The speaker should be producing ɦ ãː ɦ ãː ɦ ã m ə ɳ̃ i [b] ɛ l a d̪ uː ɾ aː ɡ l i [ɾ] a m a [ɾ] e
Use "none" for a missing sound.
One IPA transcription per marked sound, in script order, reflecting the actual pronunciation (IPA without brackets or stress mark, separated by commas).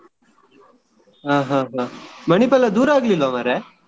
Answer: p, l, ɾ